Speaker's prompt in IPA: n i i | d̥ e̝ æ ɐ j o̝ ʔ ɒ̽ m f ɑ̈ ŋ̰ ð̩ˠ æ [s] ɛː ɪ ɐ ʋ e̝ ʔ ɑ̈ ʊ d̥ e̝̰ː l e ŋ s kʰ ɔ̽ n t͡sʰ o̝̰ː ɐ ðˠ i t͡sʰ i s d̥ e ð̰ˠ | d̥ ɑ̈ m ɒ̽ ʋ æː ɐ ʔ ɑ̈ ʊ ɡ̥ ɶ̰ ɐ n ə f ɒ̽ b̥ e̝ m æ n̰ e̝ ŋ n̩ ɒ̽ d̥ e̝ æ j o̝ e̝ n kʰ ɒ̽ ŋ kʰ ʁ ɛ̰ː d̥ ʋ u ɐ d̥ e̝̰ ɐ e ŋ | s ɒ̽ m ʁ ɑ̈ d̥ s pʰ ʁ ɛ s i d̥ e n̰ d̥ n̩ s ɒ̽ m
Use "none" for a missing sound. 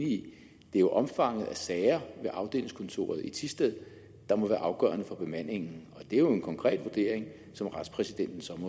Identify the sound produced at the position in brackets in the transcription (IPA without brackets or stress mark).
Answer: s